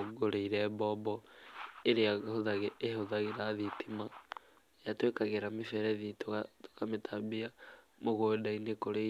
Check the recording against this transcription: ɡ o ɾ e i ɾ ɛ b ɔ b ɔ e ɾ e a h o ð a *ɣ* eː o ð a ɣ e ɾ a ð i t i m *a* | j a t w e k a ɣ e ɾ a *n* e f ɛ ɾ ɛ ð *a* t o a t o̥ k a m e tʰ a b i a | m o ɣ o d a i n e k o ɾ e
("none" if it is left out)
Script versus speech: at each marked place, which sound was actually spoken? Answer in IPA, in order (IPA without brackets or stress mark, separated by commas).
ɣ, a, m, i